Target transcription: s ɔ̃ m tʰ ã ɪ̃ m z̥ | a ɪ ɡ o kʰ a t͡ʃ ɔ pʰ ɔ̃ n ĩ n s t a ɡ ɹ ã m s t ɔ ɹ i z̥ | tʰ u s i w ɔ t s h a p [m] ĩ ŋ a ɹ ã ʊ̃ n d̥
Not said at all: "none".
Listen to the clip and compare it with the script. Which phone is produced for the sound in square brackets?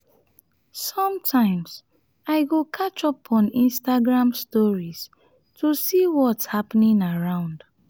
n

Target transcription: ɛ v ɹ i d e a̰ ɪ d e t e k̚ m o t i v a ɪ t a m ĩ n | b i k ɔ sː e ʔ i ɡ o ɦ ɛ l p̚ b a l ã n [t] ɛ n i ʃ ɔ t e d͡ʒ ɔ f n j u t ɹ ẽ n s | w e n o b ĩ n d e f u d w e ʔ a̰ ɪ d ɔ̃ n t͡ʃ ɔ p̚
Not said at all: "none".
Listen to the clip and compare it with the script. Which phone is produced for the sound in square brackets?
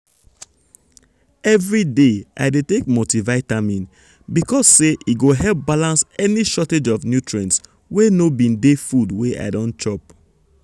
s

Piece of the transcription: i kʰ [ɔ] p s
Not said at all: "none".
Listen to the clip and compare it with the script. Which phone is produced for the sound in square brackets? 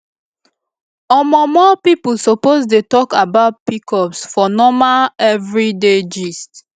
ɔ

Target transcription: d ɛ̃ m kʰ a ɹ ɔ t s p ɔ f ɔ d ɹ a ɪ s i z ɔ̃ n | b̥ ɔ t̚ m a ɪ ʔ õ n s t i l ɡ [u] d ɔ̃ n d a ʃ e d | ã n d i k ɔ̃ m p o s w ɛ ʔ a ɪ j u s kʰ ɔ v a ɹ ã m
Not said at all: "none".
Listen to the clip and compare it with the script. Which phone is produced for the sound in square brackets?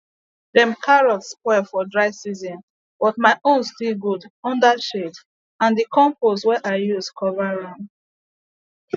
u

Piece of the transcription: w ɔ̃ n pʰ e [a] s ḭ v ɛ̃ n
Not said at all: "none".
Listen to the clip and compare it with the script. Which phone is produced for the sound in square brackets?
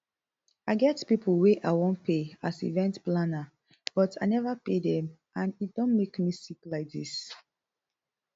a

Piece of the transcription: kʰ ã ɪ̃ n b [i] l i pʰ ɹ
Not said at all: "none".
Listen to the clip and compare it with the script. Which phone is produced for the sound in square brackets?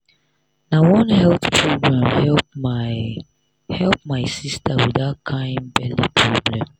ɛ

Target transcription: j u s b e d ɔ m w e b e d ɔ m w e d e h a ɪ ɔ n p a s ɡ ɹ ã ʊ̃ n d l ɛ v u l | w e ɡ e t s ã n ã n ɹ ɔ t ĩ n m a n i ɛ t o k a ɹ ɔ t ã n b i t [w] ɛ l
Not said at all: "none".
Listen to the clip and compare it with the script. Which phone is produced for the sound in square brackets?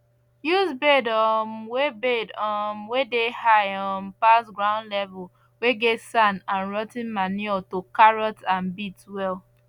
w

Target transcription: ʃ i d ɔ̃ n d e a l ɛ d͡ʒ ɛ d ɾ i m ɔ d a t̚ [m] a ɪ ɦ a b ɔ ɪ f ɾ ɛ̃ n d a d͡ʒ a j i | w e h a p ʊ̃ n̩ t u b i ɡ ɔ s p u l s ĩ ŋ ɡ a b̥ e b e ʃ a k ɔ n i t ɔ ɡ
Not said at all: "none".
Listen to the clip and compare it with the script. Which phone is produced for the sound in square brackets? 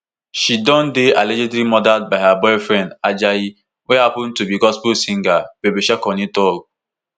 b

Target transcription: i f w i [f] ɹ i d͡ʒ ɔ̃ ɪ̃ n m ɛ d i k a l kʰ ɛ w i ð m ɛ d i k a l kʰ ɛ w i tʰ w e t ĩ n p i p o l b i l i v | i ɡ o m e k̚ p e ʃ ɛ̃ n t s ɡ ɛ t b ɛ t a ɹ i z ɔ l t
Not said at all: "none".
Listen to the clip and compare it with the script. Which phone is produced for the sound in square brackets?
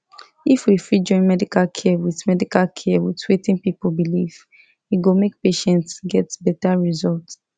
f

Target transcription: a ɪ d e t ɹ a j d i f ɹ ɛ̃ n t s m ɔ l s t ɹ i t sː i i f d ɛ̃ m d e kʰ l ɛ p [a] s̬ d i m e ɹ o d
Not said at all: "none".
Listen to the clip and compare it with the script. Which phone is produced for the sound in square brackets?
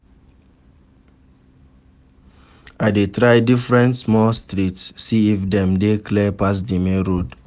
a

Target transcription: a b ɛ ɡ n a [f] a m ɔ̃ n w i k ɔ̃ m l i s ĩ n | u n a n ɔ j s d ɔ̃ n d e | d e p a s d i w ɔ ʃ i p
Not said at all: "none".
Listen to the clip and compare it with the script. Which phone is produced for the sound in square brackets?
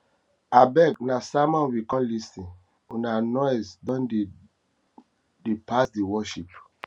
s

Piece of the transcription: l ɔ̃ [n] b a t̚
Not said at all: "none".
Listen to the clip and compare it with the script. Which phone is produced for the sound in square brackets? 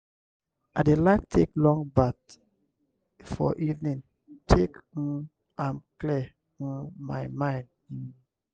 ŋ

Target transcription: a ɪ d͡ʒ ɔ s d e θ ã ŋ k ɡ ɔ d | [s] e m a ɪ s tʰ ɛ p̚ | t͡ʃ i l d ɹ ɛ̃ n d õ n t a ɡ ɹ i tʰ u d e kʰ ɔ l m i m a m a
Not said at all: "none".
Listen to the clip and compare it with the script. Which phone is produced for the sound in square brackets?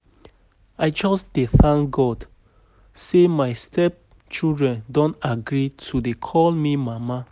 s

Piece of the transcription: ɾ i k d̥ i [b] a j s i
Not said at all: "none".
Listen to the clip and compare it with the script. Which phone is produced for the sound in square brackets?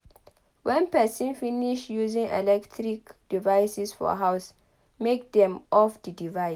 v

